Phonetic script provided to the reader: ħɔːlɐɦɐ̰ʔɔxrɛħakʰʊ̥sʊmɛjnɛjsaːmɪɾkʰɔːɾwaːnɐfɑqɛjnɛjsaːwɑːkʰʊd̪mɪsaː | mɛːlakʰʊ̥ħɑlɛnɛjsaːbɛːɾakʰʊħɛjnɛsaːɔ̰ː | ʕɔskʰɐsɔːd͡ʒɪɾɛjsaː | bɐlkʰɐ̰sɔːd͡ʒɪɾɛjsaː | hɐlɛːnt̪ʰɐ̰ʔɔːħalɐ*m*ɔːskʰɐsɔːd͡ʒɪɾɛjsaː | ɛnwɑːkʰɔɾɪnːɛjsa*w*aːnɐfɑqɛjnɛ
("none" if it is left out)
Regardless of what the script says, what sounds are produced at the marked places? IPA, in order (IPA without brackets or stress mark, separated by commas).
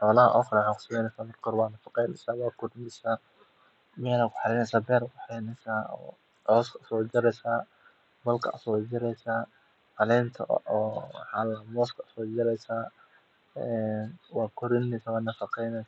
m, w